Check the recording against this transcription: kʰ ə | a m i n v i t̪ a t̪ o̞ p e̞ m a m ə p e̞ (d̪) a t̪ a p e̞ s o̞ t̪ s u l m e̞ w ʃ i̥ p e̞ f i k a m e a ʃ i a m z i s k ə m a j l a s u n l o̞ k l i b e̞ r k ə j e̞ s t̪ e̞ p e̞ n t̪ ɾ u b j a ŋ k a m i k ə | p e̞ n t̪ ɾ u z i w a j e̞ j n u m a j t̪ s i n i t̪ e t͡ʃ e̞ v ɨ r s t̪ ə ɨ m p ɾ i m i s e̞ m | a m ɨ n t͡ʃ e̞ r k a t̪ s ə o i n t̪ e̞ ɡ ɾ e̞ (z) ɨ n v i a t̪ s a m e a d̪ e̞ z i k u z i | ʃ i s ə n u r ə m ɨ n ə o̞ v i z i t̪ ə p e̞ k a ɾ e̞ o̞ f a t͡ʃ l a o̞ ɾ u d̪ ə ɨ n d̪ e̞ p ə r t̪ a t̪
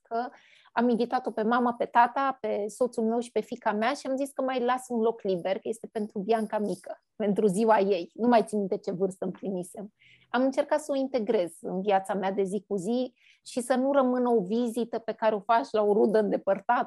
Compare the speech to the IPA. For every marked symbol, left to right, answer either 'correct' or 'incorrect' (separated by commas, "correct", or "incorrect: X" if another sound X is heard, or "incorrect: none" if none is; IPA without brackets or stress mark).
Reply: incorrect: t̪, correct